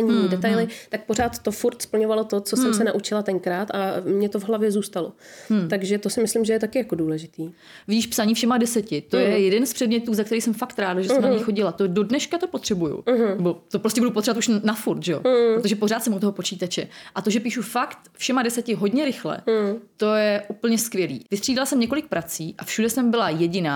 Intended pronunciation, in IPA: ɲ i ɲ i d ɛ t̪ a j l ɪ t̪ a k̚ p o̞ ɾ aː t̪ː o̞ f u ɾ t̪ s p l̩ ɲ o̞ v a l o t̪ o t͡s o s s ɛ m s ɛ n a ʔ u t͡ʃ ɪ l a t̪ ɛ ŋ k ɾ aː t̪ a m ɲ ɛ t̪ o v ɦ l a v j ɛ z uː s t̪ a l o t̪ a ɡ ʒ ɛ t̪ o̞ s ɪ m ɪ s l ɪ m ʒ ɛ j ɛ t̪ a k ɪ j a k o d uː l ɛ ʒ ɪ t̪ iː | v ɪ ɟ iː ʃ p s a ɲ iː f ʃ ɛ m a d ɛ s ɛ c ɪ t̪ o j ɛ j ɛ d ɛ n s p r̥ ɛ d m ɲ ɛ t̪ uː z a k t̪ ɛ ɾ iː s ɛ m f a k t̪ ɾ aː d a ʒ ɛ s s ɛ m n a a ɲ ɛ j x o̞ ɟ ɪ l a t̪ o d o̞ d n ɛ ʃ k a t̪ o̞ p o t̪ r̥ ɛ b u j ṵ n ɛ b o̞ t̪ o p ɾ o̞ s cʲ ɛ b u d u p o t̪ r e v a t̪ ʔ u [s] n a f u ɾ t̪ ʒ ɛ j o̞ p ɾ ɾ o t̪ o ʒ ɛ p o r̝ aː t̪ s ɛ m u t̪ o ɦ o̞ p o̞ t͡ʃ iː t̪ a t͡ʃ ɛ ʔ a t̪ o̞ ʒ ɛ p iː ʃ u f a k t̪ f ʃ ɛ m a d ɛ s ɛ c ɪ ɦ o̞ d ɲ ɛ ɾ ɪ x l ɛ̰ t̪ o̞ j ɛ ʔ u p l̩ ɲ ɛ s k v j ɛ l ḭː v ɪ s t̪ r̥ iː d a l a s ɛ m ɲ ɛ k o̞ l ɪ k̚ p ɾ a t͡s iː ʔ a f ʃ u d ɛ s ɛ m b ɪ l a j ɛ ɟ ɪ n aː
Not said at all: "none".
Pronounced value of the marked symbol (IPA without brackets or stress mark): ʃ